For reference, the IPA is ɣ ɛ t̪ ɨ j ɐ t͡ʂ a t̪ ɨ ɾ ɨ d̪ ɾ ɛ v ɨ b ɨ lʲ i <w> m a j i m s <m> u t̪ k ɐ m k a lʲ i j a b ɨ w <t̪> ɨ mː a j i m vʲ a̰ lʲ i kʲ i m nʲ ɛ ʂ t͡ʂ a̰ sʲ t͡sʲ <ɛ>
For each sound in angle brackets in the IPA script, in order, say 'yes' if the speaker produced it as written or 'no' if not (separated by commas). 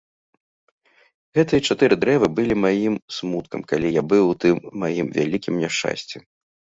no, yes, yes, yes